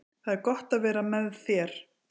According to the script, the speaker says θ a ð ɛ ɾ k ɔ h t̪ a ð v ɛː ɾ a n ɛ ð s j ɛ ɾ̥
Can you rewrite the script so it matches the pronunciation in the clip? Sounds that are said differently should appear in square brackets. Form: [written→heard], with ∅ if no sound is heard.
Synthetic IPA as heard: θ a ð ɛ ɾ k ɔ h t̪ a ð v ɛː ɾ a [n→m] ɛ ð [s→θ] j ɛ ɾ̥